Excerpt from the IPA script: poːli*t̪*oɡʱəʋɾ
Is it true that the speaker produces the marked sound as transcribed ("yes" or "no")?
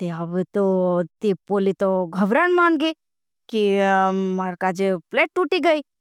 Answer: yes